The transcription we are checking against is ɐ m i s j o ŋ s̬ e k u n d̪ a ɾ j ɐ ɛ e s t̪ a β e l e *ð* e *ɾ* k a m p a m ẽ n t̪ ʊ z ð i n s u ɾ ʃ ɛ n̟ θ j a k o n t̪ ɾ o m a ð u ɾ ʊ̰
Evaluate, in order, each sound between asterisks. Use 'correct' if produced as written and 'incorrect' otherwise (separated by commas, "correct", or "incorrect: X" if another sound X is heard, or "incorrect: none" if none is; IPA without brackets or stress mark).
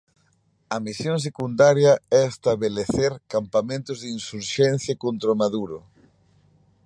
incorrect: θ, correct